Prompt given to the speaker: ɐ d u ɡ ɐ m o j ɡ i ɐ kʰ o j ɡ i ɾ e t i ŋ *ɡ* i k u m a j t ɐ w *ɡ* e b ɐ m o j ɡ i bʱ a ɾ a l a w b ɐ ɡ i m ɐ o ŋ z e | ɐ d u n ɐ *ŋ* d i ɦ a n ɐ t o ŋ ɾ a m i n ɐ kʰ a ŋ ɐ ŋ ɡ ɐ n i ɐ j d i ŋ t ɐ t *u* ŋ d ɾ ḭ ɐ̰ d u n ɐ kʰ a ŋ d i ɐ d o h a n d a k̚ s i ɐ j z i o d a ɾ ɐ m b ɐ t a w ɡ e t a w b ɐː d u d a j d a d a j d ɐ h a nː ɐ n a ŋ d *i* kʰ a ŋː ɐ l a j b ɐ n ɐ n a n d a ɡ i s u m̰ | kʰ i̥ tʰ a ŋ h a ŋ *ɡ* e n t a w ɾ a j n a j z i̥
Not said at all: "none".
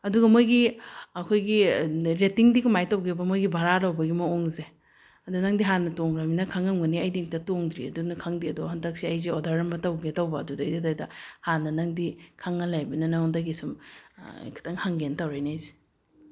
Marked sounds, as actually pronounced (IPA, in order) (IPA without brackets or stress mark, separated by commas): d, ɡ, ŋ, o, i, ɡ